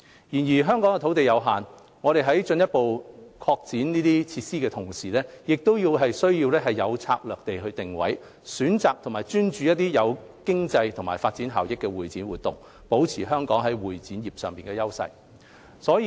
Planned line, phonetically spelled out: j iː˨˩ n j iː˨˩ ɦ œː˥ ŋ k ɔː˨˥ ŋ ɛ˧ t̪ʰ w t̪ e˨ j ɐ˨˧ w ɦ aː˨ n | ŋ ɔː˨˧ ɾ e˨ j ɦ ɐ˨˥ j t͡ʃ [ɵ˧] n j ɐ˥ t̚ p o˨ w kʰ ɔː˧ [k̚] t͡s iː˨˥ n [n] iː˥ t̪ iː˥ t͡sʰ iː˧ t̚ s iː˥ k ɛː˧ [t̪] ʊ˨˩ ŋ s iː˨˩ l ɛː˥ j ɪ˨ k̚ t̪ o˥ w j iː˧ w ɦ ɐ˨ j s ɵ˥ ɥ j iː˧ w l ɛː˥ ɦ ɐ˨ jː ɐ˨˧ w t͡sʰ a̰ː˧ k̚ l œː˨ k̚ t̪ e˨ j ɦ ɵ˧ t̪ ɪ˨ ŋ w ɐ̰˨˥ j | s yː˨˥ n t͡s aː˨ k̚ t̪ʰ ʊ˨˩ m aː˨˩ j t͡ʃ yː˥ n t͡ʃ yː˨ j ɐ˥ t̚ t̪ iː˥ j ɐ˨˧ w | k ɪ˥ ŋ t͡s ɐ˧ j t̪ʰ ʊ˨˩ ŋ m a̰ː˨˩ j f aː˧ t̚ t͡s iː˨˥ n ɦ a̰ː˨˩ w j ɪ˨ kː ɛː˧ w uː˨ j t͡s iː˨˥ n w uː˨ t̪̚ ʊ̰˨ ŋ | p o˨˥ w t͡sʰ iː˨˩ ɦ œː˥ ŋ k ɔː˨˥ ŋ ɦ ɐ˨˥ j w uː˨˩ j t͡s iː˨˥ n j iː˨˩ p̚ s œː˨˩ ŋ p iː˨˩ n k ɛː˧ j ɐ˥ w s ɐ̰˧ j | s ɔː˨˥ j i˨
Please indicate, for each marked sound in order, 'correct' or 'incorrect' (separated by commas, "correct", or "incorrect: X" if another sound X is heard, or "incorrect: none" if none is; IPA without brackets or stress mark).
correct, correct, correct, incorrect: t̪ʰ